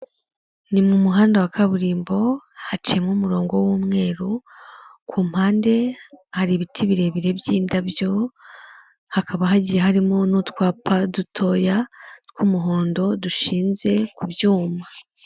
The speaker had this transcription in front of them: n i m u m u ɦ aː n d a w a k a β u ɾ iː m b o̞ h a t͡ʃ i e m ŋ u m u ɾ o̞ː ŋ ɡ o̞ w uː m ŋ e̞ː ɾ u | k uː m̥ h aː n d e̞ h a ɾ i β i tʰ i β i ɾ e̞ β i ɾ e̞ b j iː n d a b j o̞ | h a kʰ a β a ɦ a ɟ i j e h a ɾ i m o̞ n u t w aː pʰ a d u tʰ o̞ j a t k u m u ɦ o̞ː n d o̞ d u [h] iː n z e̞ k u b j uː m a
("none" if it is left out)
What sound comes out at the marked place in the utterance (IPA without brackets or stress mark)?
ʃ